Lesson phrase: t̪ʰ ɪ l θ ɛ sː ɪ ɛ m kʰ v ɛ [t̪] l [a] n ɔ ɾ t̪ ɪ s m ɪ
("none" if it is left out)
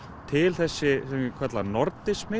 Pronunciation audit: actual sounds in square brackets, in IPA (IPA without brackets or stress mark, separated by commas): t̪, a